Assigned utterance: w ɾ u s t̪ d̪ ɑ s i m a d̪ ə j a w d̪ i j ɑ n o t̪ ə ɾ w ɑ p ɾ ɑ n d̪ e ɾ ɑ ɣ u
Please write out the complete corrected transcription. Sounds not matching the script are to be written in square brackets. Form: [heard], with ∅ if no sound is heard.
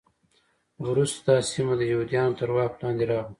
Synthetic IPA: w ɾ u s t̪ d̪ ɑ s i m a d̪ ə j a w d̪ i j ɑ n o t̪ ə ɾ w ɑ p [l] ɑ n d̪ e ɾ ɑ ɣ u